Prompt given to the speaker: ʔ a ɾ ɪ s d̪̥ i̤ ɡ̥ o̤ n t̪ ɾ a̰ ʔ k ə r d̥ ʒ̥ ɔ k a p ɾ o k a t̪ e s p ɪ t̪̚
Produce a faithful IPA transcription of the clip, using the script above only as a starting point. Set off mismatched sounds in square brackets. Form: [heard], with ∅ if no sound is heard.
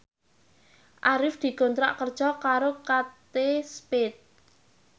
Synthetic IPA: ʔ a ɾ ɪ [f] d̪̥ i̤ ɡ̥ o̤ n t̪ ɾ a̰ ʔ k ə r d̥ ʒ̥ ɔ k a [∅] ɾ o k a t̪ e s p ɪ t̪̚